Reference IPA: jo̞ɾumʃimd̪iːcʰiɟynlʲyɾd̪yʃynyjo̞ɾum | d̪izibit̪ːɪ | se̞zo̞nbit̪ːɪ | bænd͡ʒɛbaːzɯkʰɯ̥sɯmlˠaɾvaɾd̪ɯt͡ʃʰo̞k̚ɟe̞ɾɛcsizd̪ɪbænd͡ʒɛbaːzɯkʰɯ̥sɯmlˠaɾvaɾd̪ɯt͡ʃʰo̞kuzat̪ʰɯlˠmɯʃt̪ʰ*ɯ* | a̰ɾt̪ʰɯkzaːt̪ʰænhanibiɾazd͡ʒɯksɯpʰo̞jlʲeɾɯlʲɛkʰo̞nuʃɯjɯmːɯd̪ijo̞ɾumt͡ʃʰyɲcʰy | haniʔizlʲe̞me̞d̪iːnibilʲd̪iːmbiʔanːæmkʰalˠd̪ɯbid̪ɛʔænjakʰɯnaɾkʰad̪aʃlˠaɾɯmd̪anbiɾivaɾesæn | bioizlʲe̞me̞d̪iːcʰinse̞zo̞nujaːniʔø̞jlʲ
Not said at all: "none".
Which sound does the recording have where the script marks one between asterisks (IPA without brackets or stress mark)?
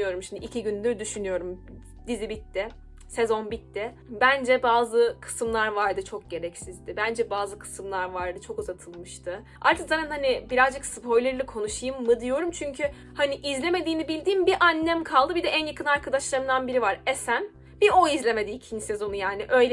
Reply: ɯ